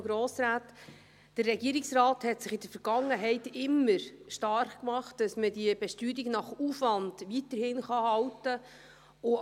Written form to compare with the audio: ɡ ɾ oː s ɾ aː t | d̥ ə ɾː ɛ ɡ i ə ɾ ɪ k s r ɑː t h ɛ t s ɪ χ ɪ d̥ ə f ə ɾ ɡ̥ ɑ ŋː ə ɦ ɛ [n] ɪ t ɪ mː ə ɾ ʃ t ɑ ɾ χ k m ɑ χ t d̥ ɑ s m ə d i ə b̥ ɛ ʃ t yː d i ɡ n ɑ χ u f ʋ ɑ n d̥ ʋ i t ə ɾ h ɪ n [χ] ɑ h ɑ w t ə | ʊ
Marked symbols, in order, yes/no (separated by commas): no, yes